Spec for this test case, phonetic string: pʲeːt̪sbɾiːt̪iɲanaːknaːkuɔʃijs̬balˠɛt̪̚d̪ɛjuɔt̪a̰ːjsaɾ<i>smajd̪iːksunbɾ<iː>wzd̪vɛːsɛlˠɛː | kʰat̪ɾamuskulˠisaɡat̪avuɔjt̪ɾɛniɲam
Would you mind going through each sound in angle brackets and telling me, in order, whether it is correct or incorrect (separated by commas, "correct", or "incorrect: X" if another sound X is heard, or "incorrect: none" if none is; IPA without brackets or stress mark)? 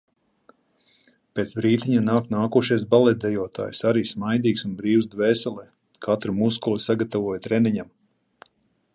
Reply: incorrect: iː, correct